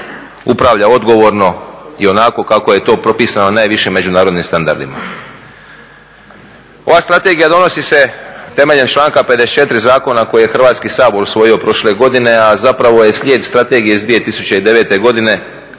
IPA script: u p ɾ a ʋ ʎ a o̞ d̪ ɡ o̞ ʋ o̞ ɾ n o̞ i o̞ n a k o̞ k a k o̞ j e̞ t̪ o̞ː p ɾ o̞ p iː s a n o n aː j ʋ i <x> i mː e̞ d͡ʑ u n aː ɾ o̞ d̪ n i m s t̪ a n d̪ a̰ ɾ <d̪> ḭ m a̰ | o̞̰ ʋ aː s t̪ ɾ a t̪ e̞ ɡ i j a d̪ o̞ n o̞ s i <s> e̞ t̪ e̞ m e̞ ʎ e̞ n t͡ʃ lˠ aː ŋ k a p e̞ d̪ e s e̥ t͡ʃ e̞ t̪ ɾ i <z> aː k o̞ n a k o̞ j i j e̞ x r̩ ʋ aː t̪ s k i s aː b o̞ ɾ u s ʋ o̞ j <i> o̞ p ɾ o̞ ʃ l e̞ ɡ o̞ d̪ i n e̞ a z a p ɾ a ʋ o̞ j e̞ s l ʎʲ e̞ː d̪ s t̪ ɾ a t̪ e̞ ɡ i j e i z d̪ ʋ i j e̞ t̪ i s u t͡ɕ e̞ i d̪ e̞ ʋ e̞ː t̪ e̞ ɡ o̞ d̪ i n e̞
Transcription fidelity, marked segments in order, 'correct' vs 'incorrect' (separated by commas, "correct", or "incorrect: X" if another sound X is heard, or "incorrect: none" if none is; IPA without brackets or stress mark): incorrect: ʃ, correct, correct, correct, correct